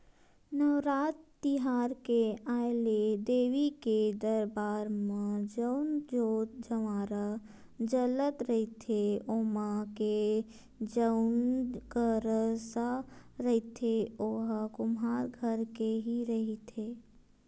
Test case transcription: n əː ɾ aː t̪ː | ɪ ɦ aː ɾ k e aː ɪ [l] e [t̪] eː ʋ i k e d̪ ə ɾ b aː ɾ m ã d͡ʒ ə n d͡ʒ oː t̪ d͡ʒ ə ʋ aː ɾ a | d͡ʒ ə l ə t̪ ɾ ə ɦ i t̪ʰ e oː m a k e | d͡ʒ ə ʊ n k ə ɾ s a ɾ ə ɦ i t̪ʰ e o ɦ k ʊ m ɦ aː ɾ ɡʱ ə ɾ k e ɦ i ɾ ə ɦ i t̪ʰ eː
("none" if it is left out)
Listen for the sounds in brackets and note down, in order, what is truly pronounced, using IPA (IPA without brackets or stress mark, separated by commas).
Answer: l, d̪